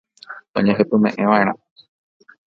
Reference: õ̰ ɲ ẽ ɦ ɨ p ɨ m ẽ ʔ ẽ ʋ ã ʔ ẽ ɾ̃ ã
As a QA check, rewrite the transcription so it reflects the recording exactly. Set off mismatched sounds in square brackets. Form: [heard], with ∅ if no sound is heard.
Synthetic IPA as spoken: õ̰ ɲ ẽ ɦ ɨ p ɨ m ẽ ʔ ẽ ʋ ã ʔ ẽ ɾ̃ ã